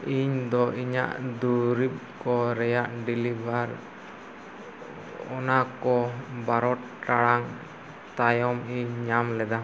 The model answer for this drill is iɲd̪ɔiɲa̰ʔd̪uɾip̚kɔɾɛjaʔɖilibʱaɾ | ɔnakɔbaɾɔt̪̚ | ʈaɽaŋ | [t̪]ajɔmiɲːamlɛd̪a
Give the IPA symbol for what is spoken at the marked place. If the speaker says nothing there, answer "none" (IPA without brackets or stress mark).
t̪